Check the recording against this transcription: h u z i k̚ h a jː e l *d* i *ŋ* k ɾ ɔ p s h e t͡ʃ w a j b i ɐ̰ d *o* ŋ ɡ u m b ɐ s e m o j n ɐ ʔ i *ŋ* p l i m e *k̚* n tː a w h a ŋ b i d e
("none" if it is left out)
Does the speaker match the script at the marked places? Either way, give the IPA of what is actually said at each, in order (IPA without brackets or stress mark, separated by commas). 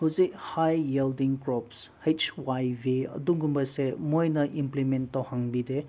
d, ŋ, u, m, none